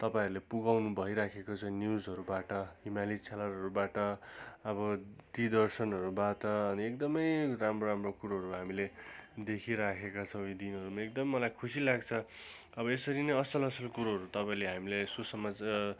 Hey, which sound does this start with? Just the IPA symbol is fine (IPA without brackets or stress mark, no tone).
t̪